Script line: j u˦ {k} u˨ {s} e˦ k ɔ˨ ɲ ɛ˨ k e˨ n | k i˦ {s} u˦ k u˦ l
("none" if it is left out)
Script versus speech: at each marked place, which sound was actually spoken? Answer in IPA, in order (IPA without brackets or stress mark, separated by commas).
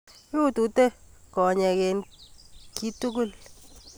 t, t, t